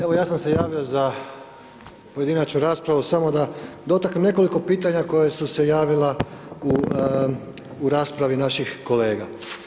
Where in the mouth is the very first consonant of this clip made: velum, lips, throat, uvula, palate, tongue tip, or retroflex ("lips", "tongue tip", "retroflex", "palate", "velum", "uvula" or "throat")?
lips